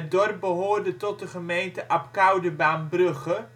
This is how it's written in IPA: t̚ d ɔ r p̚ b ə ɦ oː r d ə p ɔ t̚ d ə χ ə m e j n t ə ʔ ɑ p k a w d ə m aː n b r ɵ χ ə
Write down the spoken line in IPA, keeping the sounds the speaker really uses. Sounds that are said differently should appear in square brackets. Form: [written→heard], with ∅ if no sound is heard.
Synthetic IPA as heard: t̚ d ɔ r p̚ b ə ɦ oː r d ə [p→t] ɔ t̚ d ə χ ə m e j n t ə ʔ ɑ p k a w d ə [m→b] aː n b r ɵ χ ə